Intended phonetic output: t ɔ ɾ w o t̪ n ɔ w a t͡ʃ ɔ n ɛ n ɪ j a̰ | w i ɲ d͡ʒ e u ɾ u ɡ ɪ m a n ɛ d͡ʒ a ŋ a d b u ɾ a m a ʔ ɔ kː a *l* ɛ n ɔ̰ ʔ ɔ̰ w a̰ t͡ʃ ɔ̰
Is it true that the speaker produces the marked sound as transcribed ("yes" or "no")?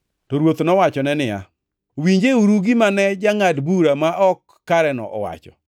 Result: no